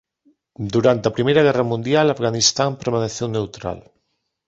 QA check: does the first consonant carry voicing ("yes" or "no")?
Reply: yes